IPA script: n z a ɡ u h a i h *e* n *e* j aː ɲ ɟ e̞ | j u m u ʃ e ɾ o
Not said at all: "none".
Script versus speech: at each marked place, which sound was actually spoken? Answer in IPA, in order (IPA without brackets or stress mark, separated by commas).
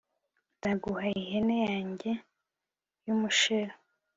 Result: e, e